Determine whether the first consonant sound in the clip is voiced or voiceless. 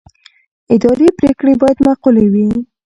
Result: voiced